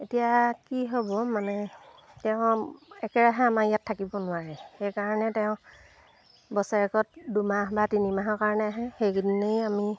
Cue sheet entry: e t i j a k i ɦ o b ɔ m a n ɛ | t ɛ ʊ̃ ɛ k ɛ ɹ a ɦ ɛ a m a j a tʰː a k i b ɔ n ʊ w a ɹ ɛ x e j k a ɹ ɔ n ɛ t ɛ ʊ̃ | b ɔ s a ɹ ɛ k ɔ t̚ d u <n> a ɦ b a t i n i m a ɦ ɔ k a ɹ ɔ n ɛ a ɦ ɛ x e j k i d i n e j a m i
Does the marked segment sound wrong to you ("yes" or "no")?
yes